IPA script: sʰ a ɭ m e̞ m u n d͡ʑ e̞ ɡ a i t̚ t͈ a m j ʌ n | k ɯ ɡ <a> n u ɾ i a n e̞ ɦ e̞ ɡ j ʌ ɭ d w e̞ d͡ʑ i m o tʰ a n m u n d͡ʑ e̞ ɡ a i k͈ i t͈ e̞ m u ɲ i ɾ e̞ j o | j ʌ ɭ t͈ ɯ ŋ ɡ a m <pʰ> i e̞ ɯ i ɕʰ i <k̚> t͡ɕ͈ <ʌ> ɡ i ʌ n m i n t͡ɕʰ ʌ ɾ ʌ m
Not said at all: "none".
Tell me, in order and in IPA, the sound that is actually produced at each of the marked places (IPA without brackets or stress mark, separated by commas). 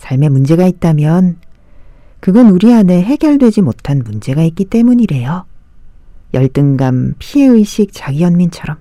ʌ, pʰ, k̚, a